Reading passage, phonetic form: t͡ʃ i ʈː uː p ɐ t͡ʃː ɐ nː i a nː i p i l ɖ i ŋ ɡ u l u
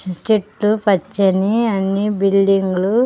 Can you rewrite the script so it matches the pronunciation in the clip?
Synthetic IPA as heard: t͡ʃ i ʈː u p ɐ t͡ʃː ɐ n i ɐ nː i b i l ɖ i ŋ ɡ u l u